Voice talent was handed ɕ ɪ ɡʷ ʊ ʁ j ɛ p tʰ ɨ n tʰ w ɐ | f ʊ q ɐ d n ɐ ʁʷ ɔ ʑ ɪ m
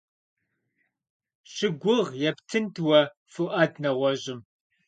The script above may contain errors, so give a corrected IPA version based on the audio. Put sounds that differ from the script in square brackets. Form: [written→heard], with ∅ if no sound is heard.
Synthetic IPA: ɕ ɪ ɡʷ ʊ ʁ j ɛ p tʰ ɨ n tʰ w ɐ | f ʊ [q→ʔ] ɐ d n ɐ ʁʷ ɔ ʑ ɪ m